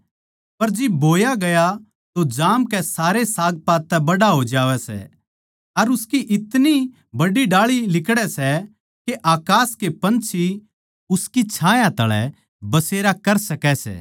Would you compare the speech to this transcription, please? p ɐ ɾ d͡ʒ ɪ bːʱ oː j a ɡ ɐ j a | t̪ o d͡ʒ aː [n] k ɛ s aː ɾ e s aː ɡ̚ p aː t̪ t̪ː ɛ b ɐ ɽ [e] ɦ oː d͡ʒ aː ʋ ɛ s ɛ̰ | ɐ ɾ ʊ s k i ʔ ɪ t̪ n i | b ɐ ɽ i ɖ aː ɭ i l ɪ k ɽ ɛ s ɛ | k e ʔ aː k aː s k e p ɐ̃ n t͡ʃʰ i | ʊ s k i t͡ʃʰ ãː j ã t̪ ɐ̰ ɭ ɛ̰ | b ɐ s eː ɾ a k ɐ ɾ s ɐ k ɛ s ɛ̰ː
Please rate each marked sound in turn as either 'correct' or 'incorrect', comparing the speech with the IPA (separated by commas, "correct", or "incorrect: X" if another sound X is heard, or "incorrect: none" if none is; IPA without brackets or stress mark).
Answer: incorrect: m, incorrect: a